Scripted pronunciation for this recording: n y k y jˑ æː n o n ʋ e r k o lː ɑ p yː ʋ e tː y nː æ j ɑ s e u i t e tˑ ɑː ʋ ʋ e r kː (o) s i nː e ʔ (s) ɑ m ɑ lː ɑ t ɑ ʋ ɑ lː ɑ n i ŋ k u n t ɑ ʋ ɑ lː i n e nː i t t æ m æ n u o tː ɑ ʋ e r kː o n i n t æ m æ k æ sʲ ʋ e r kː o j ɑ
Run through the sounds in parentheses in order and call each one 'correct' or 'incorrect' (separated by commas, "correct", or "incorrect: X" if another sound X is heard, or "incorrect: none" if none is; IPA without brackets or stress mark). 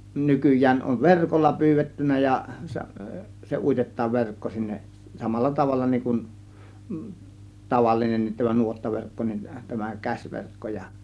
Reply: correct, correct